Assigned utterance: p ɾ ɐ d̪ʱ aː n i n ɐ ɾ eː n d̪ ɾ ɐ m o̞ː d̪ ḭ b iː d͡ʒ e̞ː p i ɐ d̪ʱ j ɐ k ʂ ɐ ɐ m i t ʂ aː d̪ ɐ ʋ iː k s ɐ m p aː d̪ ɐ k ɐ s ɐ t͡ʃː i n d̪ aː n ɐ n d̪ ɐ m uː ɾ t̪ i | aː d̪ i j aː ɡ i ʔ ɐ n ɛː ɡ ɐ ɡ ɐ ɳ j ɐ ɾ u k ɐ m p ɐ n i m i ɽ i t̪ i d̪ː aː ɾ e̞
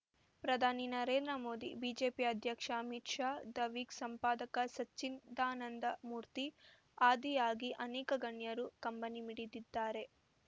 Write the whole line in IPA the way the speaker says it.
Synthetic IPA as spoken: p ɾ ɐ d̪ʱ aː n i n ɐ ɾ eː n d̪ ɾ ɐ m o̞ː d̪ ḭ b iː d͡ʒ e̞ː p i ɐ d̪ʱ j ɐ k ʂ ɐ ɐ m i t ʂ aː d̪ ɐ ʋ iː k s ɐ m p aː d̪ ɐ k ɐ s ɐ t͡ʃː i n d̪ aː n ɐ n d̪ ɐ m uː ɾ t̪ i | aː d̪ i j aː ɡ i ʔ ɐ n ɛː k ɐ ɡ ɐ ɳ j ɐ ɾ u k ɐ m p ɐ n i m i ɽ i d̪ i d̪ː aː ɾ e̞